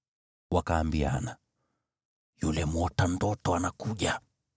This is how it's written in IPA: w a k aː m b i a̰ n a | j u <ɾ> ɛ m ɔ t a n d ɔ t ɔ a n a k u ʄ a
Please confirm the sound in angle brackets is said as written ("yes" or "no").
no